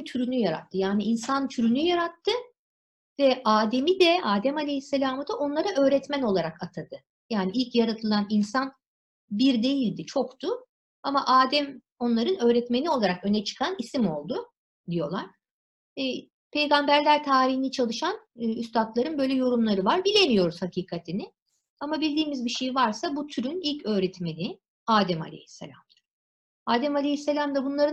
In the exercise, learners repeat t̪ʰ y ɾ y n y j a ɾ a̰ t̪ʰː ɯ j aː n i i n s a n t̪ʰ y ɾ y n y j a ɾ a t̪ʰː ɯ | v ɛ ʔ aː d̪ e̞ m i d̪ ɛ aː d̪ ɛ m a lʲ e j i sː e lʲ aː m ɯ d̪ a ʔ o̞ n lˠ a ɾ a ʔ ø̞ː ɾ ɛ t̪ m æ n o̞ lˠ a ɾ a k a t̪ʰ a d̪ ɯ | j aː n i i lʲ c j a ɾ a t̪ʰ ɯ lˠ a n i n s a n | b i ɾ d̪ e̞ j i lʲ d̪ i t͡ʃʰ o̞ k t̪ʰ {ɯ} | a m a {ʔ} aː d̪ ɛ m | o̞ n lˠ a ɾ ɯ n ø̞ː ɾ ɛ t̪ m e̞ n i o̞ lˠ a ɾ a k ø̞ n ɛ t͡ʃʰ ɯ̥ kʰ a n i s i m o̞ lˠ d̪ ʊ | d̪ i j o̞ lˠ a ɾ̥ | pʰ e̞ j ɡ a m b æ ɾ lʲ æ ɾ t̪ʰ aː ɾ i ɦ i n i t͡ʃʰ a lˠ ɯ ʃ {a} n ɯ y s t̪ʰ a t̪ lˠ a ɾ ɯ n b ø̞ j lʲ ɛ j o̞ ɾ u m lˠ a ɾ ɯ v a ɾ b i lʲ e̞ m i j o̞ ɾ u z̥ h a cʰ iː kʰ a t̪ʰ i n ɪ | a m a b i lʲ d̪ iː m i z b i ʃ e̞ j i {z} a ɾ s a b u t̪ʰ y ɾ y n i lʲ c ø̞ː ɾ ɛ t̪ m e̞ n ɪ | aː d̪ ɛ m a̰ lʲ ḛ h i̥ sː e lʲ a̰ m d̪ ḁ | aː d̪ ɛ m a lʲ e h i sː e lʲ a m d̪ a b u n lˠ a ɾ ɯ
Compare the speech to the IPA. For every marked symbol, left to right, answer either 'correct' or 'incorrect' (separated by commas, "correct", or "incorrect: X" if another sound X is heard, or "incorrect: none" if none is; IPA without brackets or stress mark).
incorrect: ʊ, correct, correct, incorrect: v